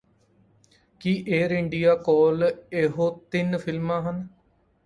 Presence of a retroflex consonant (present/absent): present